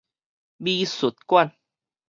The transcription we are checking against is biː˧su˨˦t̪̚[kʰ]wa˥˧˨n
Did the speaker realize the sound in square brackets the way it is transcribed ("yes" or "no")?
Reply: no